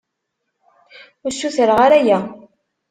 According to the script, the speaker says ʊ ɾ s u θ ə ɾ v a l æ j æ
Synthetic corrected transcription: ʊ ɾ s u θ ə ɾ ʁ a ɾ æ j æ